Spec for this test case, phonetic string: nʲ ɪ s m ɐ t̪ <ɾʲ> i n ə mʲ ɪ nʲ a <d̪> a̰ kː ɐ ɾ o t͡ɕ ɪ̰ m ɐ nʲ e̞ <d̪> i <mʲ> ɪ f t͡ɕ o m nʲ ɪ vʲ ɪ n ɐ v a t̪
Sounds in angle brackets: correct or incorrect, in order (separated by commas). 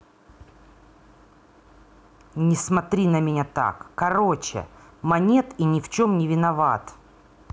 correct, incorrect, incorrect, incorrect